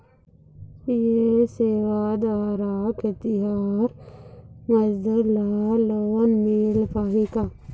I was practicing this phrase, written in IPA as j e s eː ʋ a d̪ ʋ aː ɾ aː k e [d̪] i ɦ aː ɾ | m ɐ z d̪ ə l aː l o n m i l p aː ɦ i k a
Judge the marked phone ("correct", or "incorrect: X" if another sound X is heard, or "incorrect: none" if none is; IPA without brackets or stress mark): incorrect: t̪